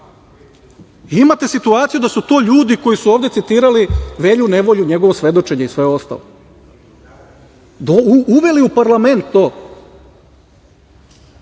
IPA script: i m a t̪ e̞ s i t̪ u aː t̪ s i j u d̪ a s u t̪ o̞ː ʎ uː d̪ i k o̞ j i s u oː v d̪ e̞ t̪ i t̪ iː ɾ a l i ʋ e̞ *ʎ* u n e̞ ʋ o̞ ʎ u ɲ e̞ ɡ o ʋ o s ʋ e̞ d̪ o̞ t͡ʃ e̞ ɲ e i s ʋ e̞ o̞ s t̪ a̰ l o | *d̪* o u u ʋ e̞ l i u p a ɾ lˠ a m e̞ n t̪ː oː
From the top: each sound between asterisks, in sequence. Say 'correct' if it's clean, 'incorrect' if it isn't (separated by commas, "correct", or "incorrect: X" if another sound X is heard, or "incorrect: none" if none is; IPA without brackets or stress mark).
correct, correct